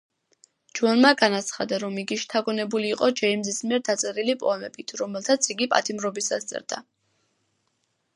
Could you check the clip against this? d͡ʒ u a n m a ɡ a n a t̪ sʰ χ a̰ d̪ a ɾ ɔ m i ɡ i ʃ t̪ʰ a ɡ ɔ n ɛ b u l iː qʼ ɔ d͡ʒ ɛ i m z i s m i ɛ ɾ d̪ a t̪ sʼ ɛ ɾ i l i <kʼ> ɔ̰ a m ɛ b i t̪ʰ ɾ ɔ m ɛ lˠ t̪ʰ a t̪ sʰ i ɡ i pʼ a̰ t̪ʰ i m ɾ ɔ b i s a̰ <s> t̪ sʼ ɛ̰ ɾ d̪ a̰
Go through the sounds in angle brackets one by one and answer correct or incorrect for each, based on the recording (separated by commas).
incorrect, correct